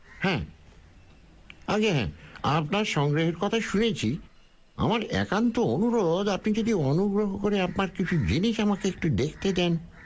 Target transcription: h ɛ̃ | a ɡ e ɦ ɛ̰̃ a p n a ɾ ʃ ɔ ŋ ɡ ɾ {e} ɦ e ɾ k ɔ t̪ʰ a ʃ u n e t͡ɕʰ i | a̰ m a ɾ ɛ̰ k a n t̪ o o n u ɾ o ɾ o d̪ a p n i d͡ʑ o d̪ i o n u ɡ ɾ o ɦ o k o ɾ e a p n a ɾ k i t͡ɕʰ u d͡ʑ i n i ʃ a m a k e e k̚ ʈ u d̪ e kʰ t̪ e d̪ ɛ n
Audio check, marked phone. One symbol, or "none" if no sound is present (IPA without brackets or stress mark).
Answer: e